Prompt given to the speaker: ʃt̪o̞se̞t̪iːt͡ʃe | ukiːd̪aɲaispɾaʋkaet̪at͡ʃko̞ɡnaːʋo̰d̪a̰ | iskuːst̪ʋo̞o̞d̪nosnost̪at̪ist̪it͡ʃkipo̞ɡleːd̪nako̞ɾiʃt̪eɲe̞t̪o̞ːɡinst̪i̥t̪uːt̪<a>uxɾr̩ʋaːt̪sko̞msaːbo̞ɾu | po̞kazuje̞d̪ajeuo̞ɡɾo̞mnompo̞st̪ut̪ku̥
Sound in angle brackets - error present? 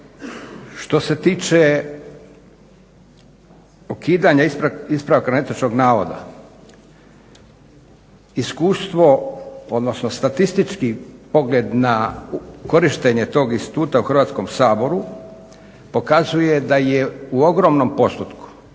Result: no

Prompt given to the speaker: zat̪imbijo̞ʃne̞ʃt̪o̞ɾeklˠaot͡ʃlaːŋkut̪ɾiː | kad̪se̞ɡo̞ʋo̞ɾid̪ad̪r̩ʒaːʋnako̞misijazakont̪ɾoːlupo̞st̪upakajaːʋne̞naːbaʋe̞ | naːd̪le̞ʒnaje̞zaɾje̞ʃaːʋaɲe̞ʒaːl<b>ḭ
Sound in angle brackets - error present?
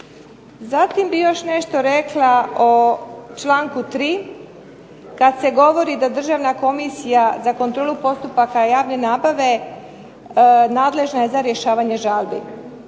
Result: no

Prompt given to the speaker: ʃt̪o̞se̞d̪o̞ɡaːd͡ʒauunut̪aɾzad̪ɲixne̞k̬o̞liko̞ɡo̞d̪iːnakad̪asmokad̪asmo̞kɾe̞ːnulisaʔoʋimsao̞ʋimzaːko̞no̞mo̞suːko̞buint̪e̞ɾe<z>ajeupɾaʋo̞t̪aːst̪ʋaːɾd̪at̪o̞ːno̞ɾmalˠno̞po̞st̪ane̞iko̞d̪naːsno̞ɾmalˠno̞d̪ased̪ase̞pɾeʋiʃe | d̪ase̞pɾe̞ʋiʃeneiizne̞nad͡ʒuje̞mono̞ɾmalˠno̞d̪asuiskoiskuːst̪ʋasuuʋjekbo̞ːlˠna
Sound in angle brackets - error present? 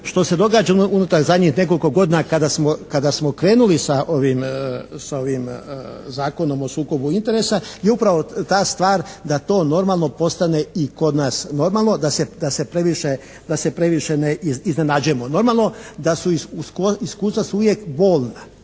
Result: yes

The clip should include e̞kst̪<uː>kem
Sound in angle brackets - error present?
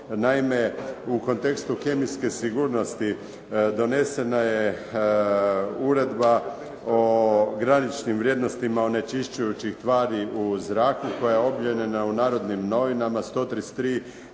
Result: yes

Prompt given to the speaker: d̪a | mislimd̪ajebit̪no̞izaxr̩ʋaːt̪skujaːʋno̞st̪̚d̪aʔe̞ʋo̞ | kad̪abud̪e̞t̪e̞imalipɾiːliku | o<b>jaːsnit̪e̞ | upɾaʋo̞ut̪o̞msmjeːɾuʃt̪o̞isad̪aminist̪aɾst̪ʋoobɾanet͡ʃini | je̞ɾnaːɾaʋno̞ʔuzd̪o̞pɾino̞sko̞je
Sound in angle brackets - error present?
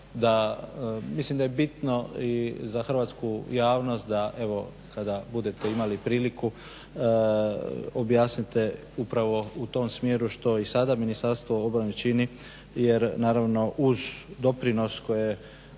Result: no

